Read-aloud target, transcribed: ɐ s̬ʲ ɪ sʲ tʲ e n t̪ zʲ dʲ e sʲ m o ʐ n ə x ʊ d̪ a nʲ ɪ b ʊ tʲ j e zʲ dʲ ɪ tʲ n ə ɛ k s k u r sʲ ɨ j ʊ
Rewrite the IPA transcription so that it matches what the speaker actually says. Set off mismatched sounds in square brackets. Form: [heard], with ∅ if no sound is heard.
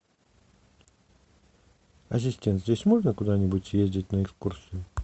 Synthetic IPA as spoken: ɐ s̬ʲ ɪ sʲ tʲ e n t̪ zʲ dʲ e sʲ m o ʐ n ə [k] ʊ d̪ a nʲ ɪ b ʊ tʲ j e zʲ dʲ ɪ tʲ n ə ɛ k s k u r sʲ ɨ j ʊ